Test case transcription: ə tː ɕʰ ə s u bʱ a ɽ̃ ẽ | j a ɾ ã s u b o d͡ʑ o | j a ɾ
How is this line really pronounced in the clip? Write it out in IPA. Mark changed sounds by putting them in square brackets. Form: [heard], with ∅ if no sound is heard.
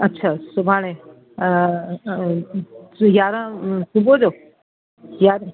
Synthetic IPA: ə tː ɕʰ [a] s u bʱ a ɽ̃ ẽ | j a ɾ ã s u b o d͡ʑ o | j a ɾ